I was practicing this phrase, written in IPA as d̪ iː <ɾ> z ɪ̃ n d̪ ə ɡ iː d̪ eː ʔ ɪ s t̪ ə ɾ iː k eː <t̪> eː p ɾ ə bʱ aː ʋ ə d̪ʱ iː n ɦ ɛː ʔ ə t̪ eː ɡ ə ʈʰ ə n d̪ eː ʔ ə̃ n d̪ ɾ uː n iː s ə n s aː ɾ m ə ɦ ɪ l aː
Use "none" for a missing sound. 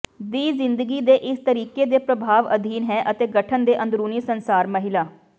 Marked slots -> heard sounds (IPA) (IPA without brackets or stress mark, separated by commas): none, d̪